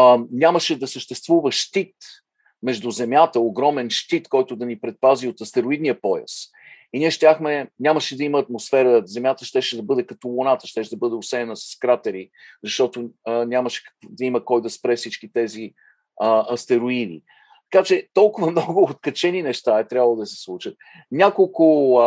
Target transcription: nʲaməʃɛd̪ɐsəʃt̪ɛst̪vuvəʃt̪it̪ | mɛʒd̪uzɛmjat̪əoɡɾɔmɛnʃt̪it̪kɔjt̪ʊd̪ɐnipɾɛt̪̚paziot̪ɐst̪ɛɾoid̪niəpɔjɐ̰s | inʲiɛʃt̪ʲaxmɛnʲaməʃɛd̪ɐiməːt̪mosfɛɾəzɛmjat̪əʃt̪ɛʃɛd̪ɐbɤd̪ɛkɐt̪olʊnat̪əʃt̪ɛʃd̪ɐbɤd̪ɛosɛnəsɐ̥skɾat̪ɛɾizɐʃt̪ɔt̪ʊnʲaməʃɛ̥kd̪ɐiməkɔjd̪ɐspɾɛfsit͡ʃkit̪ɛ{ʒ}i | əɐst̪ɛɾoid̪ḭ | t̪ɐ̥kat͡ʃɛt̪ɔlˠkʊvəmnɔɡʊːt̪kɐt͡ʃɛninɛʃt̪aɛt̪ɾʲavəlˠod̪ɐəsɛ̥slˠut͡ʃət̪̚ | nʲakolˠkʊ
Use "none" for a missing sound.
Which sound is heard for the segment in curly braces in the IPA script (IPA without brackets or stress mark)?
z